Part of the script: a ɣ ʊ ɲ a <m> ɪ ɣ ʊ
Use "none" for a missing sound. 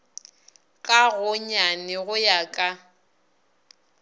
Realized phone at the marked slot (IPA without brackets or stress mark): n